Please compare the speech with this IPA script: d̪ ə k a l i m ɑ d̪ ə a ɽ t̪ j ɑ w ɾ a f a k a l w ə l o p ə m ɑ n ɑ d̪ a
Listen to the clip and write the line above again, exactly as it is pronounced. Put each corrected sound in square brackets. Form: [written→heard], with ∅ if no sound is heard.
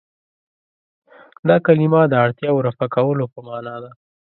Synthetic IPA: d̪ [ə→ɑ] k a l i m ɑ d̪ ə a ɽ t̪ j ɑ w ɾ a f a k a [l→∅] w ə l o p ə m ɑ n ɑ d̪ a